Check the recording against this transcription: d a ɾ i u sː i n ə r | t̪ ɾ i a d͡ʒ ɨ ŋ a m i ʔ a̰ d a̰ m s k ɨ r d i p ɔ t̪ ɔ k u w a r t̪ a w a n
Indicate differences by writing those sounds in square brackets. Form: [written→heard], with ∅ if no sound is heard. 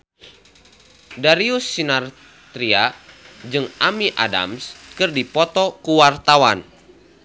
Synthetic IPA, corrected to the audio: d a ɾ i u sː i n [ə→a] r | t̪ ɾ i a d͡ʒ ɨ ŋ a m i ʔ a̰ d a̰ m s k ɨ r d i p ɔ t̪ ɔ k u w a r t̪ a w a n